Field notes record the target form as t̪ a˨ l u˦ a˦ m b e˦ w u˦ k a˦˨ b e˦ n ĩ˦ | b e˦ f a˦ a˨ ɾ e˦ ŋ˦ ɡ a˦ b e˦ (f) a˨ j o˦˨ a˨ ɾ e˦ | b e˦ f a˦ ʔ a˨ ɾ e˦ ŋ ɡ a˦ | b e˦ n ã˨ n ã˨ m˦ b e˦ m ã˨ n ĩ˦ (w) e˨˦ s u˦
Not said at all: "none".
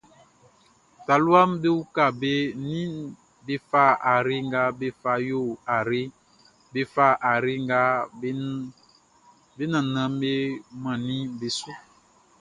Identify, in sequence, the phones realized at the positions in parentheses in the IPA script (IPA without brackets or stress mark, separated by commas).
f, b